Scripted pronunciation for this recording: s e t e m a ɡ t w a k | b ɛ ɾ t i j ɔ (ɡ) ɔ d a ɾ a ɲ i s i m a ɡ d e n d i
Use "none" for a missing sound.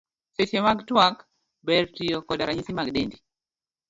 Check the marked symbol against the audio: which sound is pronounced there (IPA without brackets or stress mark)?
k